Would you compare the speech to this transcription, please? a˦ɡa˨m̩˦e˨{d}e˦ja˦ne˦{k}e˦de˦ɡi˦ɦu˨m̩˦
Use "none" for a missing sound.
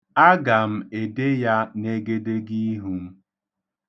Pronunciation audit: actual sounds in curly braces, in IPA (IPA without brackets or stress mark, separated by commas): d, ɡ